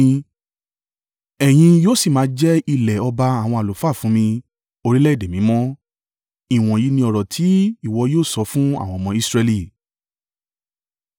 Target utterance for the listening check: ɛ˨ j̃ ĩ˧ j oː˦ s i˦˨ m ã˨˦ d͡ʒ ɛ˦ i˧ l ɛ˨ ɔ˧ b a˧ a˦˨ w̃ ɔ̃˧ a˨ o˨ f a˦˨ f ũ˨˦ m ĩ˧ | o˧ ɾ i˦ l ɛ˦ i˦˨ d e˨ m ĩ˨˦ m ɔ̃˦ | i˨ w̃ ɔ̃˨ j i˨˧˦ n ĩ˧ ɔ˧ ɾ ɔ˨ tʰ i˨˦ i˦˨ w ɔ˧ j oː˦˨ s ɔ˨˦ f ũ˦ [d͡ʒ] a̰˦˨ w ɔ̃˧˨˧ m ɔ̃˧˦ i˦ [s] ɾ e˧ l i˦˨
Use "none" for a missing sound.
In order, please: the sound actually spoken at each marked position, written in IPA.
none, s

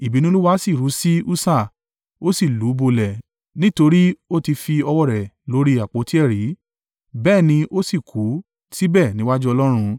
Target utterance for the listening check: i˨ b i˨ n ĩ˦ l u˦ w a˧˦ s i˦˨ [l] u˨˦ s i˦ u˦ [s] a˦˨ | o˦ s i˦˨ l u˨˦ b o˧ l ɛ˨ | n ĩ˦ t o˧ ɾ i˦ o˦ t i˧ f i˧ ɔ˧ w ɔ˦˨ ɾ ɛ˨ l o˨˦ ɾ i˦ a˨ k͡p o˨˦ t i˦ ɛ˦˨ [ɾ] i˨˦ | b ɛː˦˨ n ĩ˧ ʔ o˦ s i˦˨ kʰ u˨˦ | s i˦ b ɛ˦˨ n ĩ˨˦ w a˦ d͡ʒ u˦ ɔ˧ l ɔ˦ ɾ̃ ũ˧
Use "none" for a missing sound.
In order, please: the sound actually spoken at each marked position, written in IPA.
ɾ, s, ɾ

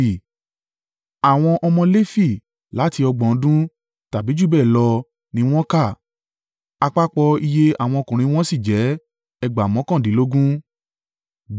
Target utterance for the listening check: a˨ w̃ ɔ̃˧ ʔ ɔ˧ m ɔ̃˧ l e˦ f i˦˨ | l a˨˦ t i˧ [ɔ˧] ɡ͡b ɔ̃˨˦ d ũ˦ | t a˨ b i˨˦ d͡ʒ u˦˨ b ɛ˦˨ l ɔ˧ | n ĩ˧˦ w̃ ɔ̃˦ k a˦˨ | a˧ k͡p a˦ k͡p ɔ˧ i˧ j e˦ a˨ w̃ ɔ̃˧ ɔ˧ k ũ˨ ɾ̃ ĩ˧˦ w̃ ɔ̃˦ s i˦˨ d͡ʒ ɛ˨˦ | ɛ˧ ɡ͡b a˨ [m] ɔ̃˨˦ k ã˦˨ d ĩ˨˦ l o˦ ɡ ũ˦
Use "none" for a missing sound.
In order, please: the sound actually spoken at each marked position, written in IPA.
ɔ˧, m

